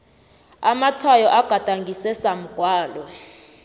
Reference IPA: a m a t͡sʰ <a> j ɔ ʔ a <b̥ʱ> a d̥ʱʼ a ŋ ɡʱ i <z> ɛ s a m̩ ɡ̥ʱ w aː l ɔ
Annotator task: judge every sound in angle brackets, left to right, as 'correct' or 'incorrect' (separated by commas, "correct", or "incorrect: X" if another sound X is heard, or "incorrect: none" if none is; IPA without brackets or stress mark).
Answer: correct, incorrect: ɡ̥ʱ, incorrect: s